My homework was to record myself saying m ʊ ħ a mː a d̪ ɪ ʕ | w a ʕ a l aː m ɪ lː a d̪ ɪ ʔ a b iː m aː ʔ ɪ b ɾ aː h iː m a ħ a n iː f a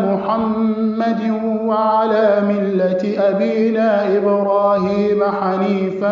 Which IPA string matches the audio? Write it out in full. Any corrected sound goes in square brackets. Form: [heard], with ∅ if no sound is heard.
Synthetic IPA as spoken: m ʊ ħ a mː a d̪ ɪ [∅] | w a ʕ a l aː m ɪ lː a [t̪] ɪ ʔ a b iː [n] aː ʔ ɪ b ɾ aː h iː m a ħ a n iː f a